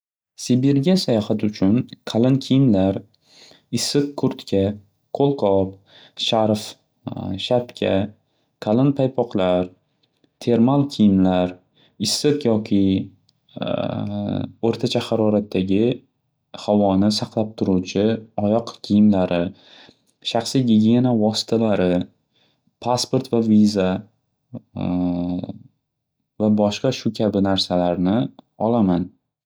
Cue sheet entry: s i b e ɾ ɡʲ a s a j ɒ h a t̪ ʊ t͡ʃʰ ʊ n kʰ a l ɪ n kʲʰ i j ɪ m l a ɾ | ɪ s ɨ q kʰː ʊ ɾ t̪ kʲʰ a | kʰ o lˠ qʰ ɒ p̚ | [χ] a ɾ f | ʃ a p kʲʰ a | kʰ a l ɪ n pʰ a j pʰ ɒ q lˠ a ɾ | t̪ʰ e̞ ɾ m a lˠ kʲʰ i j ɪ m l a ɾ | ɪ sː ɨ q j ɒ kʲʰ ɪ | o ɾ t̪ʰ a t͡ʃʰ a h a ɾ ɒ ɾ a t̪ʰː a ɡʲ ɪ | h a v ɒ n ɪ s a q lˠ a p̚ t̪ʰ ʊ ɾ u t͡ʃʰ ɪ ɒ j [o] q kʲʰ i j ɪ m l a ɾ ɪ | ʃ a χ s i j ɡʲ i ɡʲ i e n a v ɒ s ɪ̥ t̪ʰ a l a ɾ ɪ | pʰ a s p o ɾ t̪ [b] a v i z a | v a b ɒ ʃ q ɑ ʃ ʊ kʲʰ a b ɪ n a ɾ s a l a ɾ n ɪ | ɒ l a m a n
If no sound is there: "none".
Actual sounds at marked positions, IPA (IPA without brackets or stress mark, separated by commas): ʃ, ɒ, v